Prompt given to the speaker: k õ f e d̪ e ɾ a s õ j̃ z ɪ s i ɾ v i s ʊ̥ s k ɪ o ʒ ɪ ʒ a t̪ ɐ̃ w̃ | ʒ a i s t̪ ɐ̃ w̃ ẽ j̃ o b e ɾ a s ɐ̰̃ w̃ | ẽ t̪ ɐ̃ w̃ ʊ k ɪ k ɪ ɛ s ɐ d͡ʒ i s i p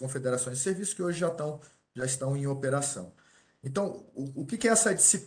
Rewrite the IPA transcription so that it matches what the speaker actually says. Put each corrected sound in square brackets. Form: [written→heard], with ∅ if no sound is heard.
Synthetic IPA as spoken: k õ f e d̪ e ɾ a s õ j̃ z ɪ s [i→e] ɾ v i s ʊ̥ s k ɪ o ʒ ɪ ʒ a t̪ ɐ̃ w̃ | ʒ a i s t̪ ɐ̃ w̃ ẽ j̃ o [b→p] e ɾ a s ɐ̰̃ w̃ | ẽ t̪ ɐ̃ w̃ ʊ k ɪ k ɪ ɛ s ɐ d͡ʒ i s i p

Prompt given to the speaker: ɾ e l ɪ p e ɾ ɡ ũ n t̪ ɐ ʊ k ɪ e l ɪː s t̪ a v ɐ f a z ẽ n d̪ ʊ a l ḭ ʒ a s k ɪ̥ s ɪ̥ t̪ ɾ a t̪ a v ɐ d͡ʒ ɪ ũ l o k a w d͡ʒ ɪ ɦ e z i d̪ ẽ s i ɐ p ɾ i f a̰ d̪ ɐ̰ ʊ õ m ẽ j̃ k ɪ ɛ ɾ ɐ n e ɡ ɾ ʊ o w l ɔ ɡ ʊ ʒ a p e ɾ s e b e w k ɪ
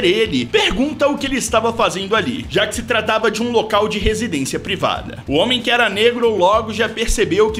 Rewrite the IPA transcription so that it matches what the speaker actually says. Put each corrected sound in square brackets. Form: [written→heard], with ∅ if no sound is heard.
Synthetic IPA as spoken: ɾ e l ɪ p e ɾ ɡ ũ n t̪ ɐ ʊ k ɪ e l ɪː s t̪ a v ɐ f a z ẽ n d̪ ʊ a l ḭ ʒ a [s→∅] k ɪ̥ s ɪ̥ t̪ ɾ a t̪ a v ɐ d͡ʒ ɪ ũ l o k a w d͡ʒ ɪ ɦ e z i d̪ ẽ s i ɐ p ɾ i [f→v] a̰ d̪ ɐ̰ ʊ õ m ẽ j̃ k ɪ ɛ ɾ ɐ n e ɡ ɾ ʊ o w l ɔ ɡ ʊ ʒ a p e ɾ s e b e w k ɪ

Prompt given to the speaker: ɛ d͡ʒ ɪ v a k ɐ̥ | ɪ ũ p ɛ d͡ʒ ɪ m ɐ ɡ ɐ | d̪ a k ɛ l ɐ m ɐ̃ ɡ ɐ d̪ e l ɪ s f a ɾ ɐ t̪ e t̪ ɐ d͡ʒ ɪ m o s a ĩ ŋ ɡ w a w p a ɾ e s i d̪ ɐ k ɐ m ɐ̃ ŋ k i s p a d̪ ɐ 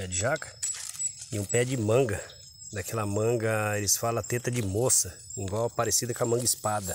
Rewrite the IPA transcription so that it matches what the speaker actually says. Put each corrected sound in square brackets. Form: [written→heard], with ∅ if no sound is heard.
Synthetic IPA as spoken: ɛ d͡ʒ ɪ [v→ʒ] a k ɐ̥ | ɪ ũ p ɛ d͡ʒ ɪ m [ɐ→ɐ̃] ɡ ɐ | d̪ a k ɛ l ɐ m ɐ̃ ɡ ɐ [d̪→∅] e l ɪ s f a [ɾ→l] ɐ t̪ e t̪ ɐ d͡ʒ ɪ m o s [a→ɐ] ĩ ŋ ɡ w a w p a ɾ e s i d̪ ɐ k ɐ m ɐ̃ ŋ [k→ɡ] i s p a d̪ ɐ

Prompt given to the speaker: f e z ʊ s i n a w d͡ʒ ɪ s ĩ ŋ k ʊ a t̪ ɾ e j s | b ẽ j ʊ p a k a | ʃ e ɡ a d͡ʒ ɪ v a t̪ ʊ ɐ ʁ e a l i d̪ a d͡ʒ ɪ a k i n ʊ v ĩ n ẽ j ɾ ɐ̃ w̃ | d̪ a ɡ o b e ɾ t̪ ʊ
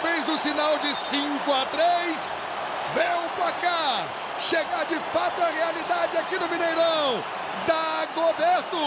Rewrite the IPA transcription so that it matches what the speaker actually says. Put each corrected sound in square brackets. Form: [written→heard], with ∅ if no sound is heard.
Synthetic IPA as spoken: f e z ʊ s i n a w d͡ʒ ɪ s ĩ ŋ k ʊ a t̪ ɾ e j s | [b→v] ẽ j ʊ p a k a | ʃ e ɡ a d͡ʒ ɪ [v→f] a t̪ ʊ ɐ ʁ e a l i d̪ a d͡ʒ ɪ a k i n ʊ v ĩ n [ẽ→e] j ɾ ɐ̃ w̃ | d̪ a ɡ o b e ɾ t̪ ʊ

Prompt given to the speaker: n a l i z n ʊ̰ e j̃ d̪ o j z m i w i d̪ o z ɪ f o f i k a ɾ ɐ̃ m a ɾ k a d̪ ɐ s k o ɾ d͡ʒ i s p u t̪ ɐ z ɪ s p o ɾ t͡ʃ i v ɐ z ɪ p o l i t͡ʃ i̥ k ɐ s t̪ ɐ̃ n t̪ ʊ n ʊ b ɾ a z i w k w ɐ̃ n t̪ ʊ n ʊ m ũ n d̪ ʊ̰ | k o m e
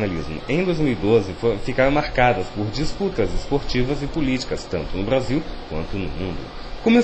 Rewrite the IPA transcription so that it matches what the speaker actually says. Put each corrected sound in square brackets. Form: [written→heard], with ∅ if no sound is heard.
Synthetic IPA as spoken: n a l i z [n→m] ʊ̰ [e→ẽ] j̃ d̪ o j z m i w i d̪ o z ɪ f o f i k a ɾ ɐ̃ m a ɾ k a d̪ ɐ s [k→p] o ɾ d͡ʒ i s p u t̪ ɐ z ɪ s p o ɾ t͡ʃ i v ɐ z ɪ p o l i t͡ʃ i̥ k ɐ s t̪ ɐ̃ n t̪ ʊ n ʊ b ɾ a z i w k w ɐ̃ n t̪ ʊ n ʊ m ũ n d̪ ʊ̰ | k o m e

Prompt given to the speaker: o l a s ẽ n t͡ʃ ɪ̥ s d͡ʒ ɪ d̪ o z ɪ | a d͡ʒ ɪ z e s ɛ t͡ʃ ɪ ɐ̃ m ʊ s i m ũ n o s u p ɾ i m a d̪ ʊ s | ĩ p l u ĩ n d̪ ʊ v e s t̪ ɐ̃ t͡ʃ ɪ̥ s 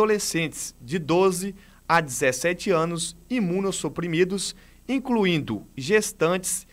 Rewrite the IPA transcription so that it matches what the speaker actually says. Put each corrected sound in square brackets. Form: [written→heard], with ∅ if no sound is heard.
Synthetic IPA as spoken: o l [a→e] s ẽ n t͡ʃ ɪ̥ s d͡ʒ ɪ d̪ o z ɪ | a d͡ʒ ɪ z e s ɛ t͡ʃ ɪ ɐ̃ [m→n] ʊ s i m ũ n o s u p ɾ i m [a→i] d̪ ʊ s | ĩ [p→k] l u ĩ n d̪ ʊ [v→ʒ] e s t̪ ɐ̃ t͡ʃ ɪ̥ s

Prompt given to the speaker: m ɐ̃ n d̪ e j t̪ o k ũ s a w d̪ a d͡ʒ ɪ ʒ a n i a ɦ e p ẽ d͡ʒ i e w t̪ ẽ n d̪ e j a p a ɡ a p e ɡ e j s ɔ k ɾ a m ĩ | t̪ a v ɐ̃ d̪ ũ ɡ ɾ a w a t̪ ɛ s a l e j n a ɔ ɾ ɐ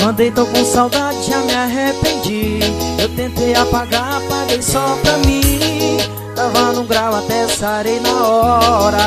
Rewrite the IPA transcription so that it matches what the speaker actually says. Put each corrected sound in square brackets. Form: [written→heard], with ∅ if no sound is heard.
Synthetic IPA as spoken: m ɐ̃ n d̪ e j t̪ o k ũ s a w d̪ a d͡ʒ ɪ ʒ a [n→m] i a ɦ e p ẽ d͡ʒ i e w t̪ ẽ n [d̪→t̪] e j a p a ɡ a p [e→a] ɡ e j s ɔ [k→p] ɾ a m ĩ | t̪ a v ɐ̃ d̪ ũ ɡ ɾ a w a t̪ ɛ s a [l→ɾ] e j n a ɔ ɾ ɐ

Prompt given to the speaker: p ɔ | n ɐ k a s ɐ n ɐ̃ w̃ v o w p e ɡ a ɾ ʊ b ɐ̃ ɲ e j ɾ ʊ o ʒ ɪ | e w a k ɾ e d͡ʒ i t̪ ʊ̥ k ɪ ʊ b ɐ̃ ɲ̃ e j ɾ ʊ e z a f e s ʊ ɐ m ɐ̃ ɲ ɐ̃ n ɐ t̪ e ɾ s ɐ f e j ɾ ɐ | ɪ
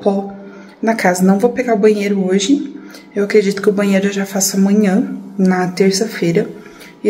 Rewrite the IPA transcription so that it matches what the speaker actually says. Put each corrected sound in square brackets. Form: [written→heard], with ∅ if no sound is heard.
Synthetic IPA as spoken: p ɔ | n ɐ k a [s→z] ɐ n ɐ̃ w̃ v o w p e ɡ a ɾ ʊ b ɐ̃ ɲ e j ɾ ʊ o ʒ ɪ | e w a k ɾ e d͡ʒ i t̪ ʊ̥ k ɪ ʊ b ɐ̃ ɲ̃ e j ɾ ʊ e [z→ʒ] a f [e→a] s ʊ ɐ m ɐ̃ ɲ ɐ̃ n ɐ t̪ e ɾ s ɐ f e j ɾ ɐ | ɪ

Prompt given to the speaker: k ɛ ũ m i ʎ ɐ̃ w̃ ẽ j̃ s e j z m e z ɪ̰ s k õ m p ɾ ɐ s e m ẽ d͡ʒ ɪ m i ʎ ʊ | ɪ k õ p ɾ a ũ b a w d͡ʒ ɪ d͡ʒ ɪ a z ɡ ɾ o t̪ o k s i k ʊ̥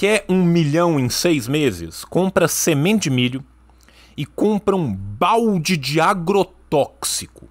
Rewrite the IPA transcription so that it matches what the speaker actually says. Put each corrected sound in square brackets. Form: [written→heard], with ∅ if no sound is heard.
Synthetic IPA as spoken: k ɛ ũ m i ʎ ɐ̃ w̃ ẽ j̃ s e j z m e z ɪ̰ s k õ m p ɾ ɐ s e m ẽ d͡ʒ ɪ m i ʎ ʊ | ɪ k õ p ɾ [a→ɐ] ũ b a w d͡ʒ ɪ d͡ʒ ɪ a [z→∅] ɡ ɾ o t̪ [o→ɔ] k s i k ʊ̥

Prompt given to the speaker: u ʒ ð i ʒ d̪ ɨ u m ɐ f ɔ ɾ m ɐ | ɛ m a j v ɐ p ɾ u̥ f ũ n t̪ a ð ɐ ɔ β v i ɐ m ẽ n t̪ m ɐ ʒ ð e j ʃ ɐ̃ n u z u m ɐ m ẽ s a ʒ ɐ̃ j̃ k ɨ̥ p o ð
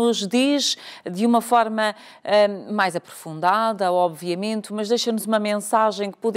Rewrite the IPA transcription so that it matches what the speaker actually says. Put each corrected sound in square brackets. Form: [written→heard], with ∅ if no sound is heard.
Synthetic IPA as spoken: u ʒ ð i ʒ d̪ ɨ u m ɐ f ɔ ɾ m ɐ | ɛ m a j [v→z] ɐ p ɾ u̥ f ũ n [t̪→d̪] a ð ɐ ɔ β v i ɐ m ẽ n t̪ m ɐ ʒ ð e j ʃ [ɐ̃→ɐ] n u z u m ɐ m ẽ s a ʒ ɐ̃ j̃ k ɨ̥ p [o→u] ð

